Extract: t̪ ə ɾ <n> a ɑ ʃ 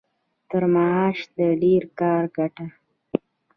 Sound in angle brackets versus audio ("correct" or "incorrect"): incorrect